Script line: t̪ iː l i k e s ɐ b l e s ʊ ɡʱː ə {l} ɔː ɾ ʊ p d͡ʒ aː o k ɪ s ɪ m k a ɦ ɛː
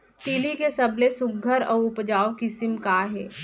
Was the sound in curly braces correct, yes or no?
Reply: no